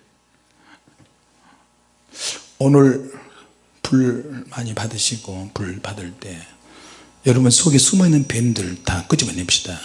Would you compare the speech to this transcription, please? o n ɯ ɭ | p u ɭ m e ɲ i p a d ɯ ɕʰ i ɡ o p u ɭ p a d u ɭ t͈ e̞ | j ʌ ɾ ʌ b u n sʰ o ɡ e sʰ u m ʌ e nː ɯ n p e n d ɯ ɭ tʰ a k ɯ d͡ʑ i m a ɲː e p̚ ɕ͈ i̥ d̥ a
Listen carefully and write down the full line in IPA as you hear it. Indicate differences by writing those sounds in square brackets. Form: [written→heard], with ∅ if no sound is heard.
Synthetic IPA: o n ɯ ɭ | p u ɭ m [e→a] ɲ i p a d ɯ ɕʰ i ɡ o p u ɭ p a d [u→ɯ] ɭ t͈ e̞ | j ʌ ɾ ʌ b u n sʰ o ɡ e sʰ u m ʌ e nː ɯ n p e n d ɯ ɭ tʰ a k ɯ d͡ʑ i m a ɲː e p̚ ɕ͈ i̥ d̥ a